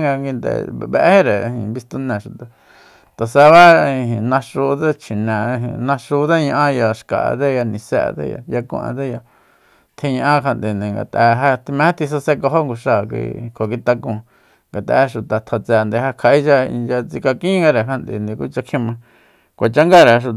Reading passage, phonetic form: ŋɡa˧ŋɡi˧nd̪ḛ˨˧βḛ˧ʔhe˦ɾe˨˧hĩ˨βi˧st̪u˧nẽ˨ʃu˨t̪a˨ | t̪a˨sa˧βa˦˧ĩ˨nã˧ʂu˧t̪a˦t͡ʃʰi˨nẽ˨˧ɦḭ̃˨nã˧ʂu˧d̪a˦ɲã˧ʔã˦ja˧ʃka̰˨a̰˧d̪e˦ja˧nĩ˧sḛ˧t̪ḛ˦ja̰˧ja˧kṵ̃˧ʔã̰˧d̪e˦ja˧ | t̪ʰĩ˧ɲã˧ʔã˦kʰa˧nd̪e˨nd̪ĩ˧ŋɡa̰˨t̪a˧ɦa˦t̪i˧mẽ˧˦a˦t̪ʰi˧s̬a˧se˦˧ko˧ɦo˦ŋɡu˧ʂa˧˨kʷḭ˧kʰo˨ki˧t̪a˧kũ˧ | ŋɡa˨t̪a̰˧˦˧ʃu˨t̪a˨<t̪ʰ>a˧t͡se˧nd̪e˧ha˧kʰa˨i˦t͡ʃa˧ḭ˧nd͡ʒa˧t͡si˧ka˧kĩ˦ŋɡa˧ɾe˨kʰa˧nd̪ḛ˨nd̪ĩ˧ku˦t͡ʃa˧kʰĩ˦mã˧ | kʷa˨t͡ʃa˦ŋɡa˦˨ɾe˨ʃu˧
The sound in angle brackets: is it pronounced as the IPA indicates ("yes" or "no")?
yes